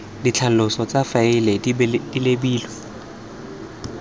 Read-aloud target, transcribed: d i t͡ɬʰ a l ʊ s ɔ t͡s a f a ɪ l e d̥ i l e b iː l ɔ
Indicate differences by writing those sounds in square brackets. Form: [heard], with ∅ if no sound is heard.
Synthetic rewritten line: d i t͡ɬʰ a l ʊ s ɔ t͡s a f a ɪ l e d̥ i l e b iː l ɔ